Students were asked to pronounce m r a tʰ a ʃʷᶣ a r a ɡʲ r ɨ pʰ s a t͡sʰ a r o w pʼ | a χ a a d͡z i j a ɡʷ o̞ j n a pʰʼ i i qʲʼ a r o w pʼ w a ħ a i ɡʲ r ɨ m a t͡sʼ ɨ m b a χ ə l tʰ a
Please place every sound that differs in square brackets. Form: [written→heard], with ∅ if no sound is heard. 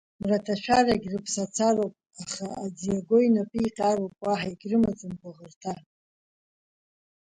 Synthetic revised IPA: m r a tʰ a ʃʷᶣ a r a ɡʲ r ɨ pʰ s a t͡sʰ a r o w pʼ | a χ a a d͡z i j a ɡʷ o̞ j n a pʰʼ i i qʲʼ a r o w pʼ w a ħ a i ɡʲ r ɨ m a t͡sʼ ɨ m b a [χ→ʁ] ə [l→r] tʰ a